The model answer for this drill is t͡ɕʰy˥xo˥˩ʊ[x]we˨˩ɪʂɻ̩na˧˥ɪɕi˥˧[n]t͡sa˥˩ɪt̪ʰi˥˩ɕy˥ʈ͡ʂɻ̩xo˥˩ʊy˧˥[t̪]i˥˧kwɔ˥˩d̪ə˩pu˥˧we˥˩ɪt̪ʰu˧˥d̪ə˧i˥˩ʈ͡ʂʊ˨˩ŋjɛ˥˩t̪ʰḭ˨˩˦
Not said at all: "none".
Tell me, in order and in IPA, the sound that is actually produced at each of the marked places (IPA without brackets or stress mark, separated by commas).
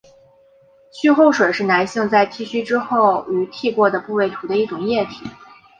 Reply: ʂ, ŋ, t̪ʰ